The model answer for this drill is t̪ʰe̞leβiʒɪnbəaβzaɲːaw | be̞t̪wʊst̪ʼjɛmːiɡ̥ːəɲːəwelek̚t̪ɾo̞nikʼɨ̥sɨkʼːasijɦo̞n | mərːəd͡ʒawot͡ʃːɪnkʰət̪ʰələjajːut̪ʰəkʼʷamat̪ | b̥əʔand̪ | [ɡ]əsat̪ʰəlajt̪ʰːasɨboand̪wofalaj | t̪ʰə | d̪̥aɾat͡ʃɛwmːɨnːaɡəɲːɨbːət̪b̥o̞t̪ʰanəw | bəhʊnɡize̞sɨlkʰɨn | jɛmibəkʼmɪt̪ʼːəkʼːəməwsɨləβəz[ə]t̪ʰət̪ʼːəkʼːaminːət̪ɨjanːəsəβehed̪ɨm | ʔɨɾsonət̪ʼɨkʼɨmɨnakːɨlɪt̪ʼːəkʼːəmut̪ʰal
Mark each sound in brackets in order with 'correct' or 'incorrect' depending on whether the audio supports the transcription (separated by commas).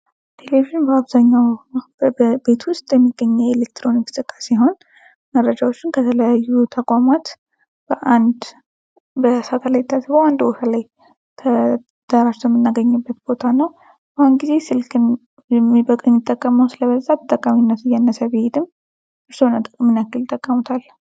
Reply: incorrect, incorrect